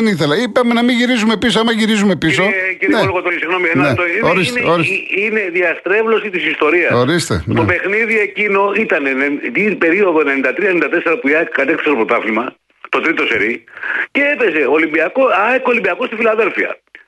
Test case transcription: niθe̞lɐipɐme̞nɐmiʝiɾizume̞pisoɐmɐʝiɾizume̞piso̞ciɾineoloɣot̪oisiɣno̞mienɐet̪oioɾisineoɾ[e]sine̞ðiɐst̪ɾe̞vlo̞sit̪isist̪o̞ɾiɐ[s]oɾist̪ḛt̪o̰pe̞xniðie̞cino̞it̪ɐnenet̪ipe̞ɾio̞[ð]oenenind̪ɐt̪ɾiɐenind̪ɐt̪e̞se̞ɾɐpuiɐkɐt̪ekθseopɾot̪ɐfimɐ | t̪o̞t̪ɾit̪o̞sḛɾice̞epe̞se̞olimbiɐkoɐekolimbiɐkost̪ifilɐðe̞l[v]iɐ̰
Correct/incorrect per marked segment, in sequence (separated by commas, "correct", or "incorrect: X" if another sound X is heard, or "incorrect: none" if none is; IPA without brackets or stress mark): incorrect: i, correct, correct, incorrect: f